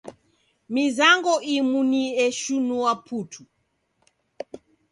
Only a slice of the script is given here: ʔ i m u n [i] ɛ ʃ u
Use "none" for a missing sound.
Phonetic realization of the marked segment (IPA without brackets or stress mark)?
i